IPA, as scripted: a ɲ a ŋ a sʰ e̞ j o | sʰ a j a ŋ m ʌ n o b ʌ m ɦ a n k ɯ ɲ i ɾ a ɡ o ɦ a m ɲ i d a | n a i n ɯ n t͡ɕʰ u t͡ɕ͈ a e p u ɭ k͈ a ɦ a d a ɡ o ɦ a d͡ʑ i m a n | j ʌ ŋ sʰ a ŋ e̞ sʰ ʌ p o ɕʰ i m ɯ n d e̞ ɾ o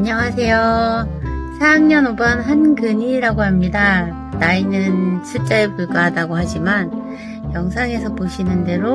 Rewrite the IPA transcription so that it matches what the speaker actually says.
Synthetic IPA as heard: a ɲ ʌ ŋ a sʰ e̞ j o | sʰ a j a ŋ ɲ ʌ n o b ʌ n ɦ a n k ɯ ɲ i ɾ a ɡ o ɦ a m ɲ i d a | n a i n ɯ n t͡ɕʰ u t͡ɕ͈ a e p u ɭ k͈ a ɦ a d a ɡ o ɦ a d͡ʑ i m a n | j ʌ ŋ sʰ a ŋ e̞ sʰ ʌ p o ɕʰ i n ɯ n d e̞ ɾ o